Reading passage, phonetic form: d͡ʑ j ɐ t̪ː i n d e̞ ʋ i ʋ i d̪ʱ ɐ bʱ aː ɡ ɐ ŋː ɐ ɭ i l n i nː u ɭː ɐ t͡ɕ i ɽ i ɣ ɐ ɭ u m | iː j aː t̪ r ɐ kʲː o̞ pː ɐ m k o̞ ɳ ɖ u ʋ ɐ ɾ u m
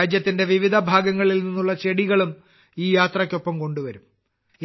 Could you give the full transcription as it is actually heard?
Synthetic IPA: d͡ʑ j ɐ t̪ː i n d e̞ ʋ i ʋ i d̪ʱ ɐ bʱ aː ɡ ɐ ŋː ɐ ɭ i l n i nː u ɭː ɐ t͡ɕ e ɽ i ɣ ɐ ɭ u m | iː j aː t̪ r ɐ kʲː o̞ pː ɐ m k o̞ ɳ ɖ u ʋ ɐ ɾ u m